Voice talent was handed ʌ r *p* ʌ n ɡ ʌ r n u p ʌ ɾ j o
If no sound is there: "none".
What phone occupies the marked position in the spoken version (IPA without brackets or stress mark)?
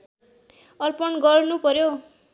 p